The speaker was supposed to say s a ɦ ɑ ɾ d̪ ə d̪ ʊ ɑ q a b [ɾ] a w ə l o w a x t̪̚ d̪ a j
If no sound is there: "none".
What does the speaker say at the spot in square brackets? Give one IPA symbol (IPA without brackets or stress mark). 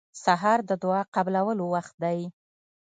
l